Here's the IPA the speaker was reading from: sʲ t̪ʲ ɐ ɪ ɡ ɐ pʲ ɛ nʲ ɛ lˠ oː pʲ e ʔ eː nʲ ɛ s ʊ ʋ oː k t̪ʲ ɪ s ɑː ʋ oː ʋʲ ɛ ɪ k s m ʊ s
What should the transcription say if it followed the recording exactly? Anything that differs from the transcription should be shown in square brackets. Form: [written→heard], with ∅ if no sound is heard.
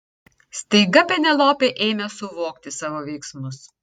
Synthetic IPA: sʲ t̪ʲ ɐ ɪ ɡ ɐ pʲ ɛ nʲ ɛ lˠ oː pʲ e ʔ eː [nʲ→mʲ] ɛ s ʊ ʋ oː k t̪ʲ ɪ s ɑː ʋ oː ʋʲ ɛ ɪ k s m ʊ s

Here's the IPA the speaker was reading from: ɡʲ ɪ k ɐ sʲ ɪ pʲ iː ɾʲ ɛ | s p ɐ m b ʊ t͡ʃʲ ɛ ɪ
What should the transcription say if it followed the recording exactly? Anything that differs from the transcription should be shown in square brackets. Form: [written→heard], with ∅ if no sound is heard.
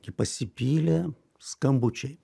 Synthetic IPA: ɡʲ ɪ [k→p] ɐ sʲ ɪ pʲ iː [ɾʲ→lʲ] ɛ | s [p→k] ɐ m b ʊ t͡ʃʲ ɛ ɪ

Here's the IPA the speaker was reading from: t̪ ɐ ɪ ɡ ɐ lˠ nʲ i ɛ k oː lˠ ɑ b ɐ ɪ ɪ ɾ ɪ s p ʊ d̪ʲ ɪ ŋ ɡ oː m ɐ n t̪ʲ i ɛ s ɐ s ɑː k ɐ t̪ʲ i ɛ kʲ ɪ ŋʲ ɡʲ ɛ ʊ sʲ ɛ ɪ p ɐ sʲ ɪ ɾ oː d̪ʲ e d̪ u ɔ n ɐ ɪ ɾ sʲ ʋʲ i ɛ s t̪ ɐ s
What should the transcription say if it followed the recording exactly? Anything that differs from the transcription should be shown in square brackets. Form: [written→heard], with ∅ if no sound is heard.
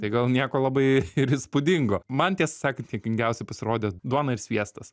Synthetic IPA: t̪ ɐ ɪ ɡ ɐ lˠ nʲ i ɛ k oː lˠ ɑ b ɐ ɪ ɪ ɾ ɪ s p ʊ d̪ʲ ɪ ŋ ɡ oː m ɐ n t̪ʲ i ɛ s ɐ s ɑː k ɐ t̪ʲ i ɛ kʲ ɪ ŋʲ ɡʲ ɛ ʊ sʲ ɛ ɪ p ɐ sʲ ɪ ɾ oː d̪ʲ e d̪ u ɔ n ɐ ɪ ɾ sʲ ʋʲ i ɛ s t̪ ɐ s

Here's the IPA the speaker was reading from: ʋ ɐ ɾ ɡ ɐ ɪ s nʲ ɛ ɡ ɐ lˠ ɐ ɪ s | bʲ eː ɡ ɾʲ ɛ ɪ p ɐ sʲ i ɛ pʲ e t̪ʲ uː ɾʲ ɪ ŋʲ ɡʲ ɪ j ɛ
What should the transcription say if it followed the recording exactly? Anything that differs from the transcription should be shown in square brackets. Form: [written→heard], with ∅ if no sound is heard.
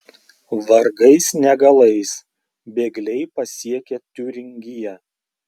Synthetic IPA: ʋ ɐ ɾ ɡ ɐ ɪ s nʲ ɛ ɡ ɐ lˠ ɐ ɪ s | bʲ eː ɡ [ɾʲ→lʲ] ɛ ɪ p ɐ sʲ i ɛ [pʲ→kʲ] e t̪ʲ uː ɾʲ ɪ ŋʲ ɡʲ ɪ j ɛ

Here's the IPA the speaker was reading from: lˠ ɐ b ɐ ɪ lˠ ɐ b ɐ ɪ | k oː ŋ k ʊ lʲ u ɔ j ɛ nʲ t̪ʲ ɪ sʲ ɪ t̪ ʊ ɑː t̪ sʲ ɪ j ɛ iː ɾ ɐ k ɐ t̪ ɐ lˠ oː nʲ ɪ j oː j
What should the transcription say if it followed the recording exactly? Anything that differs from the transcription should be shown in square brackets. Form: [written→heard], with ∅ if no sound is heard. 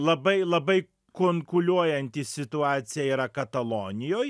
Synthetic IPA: lˠ ɐ b ɐ ɪ lˠ ɐ b ɐ ɪ | k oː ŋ k ʊ lʲ u ɔ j ɛ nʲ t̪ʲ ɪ sʲ ɪ t̪ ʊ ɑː t̪ sʲ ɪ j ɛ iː ɾ ɐ k ɐ t̪ ɐ lˠ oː nʲ ɪ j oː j

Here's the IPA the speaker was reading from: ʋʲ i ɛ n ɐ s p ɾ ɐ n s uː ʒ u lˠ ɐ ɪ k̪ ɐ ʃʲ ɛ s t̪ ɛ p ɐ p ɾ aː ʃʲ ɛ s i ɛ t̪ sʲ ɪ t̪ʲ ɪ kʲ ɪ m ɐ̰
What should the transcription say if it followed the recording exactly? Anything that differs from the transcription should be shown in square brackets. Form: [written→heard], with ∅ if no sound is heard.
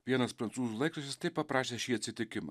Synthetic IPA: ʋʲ i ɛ n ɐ s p ɾ ɐ n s uː [ʒ→z] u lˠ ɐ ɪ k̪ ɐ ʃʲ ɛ s t̪ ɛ p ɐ p ɾ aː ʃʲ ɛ [s→ʃ] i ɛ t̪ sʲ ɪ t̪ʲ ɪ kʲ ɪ m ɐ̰

